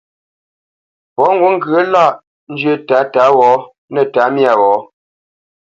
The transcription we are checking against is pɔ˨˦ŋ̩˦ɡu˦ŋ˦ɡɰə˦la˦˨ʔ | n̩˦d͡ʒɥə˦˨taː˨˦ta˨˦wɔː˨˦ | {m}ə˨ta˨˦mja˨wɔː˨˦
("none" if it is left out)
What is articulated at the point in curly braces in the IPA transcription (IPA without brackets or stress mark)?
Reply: n